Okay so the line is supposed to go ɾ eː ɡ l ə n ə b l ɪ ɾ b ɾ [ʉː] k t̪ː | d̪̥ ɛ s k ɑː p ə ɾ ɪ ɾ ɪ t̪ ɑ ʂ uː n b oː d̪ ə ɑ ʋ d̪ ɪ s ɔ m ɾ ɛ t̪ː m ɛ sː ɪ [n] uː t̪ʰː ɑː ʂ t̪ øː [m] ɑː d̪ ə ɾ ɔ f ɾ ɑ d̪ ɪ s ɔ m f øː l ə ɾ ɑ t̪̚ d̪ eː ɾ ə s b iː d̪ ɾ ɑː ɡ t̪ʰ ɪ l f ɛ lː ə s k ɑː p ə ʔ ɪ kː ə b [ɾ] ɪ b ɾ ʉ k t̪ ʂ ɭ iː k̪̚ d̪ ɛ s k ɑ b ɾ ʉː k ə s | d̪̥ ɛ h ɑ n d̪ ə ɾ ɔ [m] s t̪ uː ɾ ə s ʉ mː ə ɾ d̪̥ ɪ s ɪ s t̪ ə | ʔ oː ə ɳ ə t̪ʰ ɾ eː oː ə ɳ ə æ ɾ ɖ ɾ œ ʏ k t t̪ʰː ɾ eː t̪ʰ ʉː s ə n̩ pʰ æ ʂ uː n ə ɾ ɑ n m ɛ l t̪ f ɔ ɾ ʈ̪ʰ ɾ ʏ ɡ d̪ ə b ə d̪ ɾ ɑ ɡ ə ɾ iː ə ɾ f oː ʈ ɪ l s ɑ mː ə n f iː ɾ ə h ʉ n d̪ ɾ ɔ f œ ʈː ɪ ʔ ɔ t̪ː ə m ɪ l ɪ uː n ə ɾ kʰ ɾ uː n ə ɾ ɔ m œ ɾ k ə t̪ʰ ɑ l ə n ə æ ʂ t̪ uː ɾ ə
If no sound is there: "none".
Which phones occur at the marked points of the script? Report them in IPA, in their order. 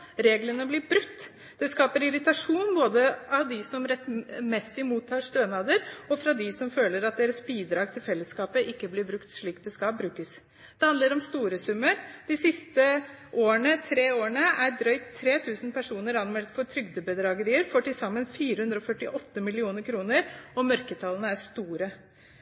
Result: ʉ, m, n, l, m

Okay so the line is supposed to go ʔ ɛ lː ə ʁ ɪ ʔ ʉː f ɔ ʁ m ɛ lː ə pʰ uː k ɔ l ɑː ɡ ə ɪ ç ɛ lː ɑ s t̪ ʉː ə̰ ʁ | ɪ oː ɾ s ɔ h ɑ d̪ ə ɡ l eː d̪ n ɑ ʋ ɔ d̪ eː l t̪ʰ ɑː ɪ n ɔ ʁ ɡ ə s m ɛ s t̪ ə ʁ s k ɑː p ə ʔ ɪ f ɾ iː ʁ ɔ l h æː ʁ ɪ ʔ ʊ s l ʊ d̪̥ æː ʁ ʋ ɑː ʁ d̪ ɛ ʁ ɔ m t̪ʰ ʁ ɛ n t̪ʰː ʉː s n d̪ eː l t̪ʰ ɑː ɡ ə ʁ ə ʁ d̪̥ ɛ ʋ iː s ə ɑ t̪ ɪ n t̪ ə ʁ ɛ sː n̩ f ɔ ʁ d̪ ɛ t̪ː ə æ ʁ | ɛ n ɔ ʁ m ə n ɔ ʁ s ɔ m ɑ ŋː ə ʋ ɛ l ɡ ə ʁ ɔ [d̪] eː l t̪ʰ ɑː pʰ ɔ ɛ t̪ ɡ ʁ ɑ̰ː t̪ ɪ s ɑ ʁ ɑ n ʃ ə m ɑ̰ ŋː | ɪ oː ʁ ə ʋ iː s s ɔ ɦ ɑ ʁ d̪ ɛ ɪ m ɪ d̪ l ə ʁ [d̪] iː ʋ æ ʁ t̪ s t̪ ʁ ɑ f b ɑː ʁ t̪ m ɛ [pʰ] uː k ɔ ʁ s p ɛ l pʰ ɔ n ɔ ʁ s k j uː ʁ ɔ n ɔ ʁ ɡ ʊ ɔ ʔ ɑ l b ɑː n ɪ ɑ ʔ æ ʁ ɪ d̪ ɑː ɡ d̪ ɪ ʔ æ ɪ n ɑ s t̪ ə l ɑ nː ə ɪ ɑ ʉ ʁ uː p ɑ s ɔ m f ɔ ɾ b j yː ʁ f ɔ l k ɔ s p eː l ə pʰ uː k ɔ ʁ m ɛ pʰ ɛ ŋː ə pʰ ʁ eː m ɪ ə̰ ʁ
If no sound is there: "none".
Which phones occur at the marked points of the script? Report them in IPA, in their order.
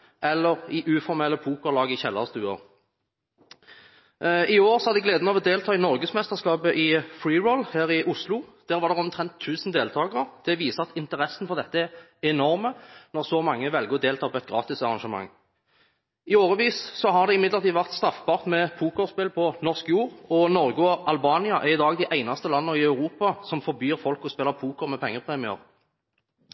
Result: d̪, t̪, pʰ

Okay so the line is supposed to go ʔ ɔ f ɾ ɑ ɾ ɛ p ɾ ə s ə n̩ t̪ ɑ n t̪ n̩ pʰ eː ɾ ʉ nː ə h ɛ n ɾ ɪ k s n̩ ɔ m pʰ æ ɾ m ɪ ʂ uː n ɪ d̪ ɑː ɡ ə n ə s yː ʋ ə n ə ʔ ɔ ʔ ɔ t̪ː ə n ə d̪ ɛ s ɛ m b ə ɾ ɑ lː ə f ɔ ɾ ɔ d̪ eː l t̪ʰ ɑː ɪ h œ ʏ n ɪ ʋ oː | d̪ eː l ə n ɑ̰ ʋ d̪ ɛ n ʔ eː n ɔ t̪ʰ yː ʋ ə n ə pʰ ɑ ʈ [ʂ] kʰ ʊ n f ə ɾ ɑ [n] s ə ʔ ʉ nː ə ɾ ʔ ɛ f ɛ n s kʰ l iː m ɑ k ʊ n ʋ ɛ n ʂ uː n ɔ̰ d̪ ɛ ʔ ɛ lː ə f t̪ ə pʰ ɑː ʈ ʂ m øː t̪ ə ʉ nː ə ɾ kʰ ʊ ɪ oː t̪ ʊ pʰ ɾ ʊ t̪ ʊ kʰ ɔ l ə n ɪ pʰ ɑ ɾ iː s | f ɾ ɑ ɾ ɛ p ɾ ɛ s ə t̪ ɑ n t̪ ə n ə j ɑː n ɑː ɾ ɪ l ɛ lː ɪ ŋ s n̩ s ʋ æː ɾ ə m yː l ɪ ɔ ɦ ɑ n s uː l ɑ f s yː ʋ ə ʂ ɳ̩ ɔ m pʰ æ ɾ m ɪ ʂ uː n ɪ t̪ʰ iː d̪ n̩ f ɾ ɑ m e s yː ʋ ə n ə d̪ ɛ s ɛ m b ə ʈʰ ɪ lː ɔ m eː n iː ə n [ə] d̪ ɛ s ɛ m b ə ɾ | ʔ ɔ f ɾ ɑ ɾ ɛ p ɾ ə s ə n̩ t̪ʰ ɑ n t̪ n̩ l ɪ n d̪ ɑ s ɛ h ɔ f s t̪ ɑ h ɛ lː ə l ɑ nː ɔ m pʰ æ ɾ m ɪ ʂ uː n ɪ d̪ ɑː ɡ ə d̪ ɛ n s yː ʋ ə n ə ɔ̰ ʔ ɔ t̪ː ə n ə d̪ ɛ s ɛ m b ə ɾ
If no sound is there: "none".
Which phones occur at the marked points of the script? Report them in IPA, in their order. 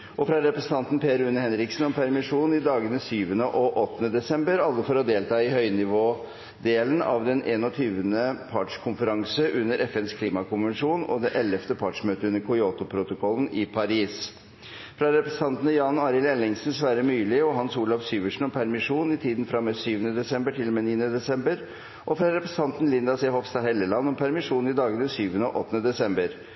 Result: ʂ, ŋ, ə

